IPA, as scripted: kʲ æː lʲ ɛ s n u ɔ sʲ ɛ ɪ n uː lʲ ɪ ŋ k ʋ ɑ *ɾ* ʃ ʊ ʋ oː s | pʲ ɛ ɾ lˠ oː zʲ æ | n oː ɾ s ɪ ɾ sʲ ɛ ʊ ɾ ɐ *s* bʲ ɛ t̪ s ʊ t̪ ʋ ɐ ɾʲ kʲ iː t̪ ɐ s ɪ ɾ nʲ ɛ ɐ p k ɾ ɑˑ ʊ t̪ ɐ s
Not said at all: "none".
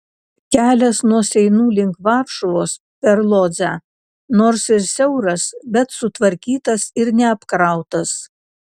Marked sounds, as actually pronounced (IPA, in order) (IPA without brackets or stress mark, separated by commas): ɾ, s